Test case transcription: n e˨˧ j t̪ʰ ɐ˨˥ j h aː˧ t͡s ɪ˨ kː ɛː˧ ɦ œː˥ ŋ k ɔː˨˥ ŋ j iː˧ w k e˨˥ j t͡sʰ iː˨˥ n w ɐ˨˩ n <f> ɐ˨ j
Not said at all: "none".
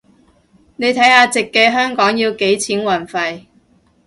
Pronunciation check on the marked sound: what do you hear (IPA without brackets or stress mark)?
f